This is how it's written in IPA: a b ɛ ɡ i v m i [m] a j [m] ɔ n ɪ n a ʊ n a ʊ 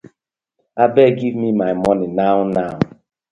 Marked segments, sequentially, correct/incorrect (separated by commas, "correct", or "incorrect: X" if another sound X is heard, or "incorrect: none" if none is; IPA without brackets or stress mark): correct, correct